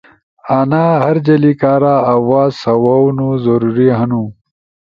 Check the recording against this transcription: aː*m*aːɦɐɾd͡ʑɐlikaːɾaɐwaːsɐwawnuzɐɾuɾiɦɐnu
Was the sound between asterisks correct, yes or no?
no